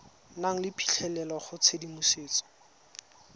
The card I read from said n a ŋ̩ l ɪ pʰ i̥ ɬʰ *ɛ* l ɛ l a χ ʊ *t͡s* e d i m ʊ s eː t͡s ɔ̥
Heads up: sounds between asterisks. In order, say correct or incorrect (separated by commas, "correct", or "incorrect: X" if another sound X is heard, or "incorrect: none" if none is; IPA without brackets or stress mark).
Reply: correct, incorrect: t͡sʰ